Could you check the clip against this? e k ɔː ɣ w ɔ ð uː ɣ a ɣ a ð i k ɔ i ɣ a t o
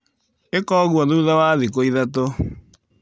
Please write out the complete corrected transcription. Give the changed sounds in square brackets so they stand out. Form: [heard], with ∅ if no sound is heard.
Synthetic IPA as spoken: e k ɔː ɣ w ɔ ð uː [ð] a [w] a ð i k [o] i [ð] a t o